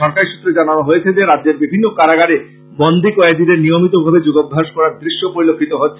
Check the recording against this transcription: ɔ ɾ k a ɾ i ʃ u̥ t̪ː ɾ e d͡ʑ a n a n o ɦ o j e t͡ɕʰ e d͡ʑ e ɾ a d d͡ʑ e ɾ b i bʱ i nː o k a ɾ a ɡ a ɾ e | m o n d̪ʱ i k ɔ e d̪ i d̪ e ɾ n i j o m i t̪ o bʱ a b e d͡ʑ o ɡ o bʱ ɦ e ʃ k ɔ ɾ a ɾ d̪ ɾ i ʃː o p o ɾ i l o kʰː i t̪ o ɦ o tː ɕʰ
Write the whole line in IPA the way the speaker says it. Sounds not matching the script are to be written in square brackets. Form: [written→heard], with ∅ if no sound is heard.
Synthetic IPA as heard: ɔ ɾ k a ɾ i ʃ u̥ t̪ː ɾ e d͡ʑ a n a n o ɦ o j e t͡ɕʰ e d͡ʑ e ɾ a d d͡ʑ e ɾ b i bʱ i nː o k a ɾ a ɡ a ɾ e | [m→b] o n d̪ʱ i k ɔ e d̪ i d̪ e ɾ n i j o m i t̪ o bʱ a b e d͡ʑ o ɡ o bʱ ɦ [e→a] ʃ k ɔ ɾ a ɾ d̪ ɾ i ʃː o p o ɾ i l o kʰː i t̪ o ɦ o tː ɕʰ